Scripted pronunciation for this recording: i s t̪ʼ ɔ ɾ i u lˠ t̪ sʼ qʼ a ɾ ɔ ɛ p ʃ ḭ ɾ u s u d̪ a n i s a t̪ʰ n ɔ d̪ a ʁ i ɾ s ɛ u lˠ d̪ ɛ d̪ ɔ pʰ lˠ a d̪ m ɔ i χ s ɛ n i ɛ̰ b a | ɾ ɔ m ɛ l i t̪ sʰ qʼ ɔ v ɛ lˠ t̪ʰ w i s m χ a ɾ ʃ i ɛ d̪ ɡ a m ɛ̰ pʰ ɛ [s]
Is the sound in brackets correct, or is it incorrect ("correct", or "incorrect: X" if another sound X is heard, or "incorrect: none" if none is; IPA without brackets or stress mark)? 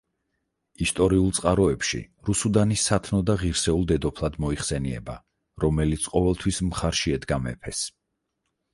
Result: correct